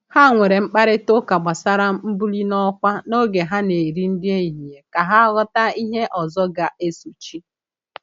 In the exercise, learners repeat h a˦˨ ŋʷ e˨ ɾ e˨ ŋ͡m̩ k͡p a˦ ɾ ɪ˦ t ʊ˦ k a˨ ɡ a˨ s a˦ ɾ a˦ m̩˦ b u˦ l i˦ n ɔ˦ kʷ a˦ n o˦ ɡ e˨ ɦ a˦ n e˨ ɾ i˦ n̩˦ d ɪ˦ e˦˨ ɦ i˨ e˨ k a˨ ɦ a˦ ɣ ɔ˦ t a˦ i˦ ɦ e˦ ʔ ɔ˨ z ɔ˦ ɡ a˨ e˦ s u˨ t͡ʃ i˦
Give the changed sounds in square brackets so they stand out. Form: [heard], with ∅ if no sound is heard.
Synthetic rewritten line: h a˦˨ ŋʷ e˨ ɾ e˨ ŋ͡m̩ k͡p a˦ ɾ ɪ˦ t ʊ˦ k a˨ [ɡ͡b] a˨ s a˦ ɾ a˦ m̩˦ b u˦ l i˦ n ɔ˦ kʷ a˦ n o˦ ɡ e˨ ɦ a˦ n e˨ ɾ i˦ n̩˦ d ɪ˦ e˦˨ ɦ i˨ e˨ k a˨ ɦ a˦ ɣ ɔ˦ t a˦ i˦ ɦ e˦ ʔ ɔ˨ z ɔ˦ ɡ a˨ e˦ s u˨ t͡ʃ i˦

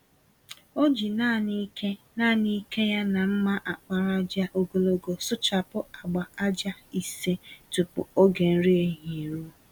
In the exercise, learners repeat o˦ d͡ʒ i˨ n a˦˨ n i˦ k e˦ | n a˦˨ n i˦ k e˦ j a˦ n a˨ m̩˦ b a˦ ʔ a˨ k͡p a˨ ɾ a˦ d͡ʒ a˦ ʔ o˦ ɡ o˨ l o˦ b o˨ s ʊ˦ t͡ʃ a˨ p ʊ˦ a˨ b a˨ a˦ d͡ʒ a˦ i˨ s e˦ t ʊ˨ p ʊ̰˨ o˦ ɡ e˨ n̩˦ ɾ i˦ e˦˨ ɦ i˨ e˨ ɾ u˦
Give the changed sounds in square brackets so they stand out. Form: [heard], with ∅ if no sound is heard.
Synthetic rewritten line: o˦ d͡ʒ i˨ n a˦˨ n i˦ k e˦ | n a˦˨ n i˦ k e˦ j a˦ n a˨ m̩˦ [m] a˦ ʔ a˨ k͡p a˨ ɾ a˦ d͡ʒ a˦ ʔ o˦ ɡ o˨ l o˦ [ɡ] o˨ s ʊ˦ t͡ʃ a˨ p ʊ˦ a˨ [ɡ͡b] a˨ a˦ d͡ʒ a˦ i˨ s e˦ t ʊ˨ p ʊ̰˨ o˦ ɡ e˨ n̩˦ ɾ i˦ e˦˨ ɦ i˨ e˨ ɾ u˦

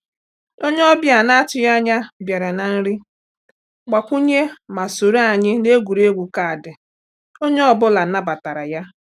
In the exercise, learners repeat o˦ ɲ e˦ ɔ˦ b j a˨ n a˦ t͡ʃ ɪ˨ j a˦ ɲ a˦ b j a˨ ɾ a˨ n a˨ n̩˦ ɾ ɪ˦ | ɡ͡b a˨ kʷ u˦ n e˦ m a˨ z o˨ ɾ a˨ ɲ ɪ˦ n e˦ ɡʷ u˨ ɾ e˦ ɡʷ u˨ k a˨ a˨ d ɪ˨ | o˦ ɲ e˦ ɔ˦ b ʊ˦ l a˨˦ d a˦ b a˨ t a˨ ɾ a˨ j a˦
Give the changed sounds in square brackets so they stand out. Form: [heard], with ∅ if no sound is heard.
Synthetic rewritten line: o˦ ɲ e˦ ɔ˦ b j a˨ n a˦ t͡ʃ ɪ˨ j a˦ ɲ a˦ b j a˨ ɾ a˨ n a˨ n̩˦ ɾ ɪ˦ | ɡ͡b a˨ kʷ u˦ [ɲ] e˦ m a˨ [s] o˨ ɾ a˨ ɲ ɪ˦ n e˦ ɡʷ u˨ ɾ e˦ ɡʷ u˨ k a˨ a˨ d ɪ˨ | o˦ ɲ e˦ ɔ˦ b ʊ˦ l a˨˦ [n] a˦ b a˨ t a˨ ɾ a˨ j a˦

